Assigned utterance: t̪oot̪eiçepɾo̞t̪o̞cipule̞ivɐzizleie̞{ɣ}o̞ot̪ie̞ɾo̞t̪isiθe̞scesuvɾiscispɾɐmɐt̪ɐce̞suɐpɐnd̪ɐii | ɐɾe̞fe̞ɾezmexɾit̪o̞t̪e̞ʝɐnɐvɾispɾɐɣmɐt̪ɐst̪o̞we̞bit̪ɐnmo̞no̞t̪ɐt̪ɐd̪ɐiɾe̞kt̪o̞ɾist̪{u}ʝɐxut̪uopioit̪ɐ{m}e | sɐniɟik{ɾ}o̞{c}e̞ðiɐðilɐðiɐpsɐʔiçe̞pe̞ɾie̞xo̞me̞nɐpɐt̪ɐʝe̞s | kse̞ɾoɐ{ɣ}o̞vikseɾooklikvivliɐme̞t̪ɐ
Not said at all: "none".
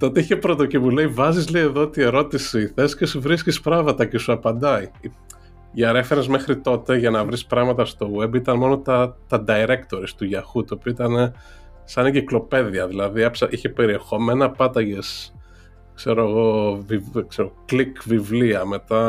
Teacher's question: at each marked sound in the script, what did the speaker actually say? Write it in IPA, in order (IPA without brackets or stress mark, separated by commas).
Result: ð, u, n, l, p, ɣ